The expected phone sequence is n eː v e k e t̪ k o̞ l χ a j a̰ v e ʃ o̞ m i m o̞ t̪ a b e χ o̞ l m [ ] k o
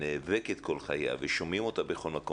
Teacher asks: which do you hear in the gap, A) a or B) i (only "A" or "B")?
A